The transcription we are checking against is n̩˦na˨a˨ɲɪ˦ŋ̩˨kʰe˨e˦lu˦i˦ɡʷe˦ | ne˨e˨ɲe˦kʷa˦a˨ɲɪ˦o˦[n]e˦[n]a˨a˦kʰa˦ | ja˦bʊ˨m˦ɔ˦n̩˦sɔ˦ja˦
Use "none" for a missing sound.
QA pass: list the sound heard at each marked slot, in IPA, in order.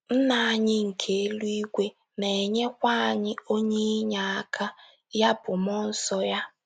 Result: ɲ, ɲ

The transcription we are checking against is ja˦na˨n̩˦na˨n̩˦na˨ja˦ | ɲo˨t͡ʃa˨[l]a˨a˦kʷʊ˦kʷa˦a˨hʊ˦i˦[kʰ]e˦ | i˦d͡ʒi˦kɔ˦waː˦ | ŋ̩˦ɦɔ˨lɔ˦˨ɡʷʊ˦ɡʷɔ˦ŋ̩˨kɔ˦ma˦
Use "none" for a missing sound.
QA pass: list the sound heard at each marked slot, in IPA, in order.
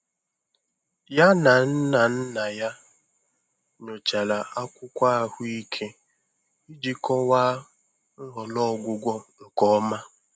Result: l, kʰ

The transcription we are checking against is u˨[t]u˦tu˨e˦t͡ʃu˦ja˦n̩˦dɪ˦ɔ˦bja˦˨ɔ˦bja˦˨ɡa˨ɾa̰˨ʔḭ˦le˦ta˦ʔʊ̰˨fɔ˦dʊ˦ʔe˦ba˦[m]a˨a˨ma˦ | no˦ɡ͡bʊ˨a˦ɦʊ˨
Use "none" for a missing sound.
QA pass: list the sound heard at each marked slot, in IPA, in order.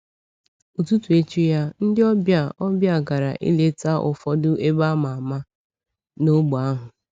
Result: t, m

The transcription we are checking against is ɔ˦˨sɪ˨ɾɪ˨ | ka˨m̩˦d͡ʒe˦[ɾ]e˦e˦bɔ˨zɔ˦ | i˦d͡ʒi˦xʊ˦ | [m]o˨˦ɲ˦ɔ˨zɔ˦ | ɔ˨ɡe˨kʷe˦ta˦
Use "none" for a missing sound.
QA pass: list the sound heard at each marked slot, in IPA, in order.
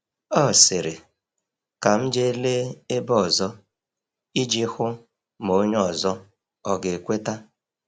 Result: l, m

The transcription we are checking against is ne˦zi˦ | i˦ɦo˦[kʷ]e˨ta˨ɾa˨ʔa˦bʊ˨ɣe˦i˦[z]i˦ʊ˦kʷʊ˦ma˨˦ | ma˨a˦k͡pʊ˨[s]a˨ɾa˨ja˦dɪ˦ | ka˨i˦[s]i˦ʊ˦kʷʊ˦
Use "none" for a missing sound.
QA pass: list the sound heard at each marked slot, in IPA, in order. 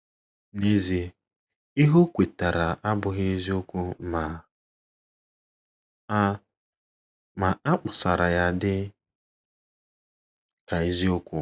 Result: kʷ, z, s, z

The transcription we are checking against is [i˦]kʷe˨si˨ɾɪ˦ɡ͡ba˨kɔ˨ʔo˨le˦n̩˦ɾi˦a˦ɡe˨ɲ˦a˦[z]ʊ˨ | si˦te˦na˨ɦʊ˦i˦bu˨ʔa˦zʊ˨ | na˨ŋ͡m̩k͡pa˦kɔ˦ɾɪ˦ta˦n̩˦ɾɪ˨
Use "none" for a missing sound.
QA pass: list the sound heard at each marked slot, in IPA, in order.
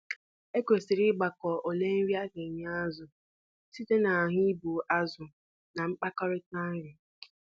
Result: e˦, z

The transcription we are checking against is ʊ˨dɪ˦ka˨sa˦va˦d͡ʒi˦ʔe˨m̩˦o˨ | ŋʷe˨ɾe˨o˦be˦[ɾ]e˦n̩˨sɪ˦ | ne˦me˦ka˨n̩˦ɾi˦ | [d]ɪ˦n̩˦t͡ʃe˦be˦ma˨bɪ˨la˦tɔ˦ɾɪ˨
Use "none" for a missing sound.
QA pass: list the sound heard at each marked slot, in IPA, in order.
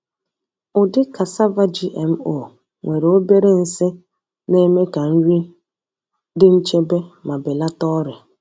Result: ɾ, d

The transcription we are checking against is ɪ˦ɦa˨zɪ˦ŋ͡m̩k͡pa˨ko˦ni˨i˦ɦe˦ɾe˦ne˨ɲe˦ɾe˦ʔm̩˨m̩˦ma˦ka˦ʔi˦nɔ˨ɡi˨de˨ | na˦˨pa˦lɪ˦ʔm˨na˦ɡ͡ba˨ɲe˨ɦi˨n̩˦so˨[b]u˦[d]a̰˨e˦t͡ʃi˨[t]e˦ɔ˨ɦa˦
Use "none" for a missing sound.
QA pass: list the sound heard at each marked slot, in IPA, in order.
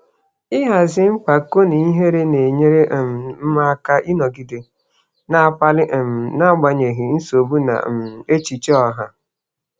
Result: b, n, t͡ʃ

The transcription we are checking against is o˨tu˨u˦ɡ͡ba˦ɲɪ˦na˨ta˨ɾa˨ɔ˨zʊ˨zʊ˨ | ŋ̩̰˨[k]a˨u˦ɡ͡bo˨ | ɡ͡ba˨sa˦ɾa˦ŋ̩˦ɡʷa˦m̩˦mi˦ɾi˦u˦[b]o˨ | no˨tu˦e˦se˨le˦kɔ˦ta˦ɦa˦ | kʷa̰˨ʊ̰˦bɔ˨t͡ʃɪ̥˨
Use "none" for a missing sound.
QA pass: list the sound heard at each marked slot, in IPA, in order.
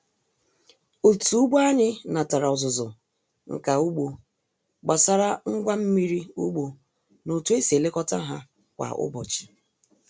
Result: k, ɡ͡b

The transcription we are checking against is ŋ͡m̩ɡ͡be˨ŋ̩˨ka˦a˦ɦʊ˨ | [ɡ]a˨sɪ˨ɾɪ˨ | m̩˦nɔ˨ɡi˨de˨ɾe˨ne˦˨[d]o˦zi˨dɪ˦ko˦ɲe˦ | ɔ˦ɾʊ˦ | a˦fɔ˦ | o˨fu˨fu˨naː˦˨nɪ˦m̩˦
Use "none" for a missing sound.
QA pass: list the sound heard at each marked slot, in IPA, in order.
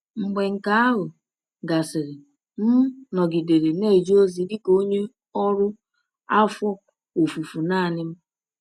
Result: ɡ, d͡ʒ

